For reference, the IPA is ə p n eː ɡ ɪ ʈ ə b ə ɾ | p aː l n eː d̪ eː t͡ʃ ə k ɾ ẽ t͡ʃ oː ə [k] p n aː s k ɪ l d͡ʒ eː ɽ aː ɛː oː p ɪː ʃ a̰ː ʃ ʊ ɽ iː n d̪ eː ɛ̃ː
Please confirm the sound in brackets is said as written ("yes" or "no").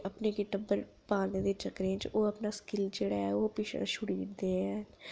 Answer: no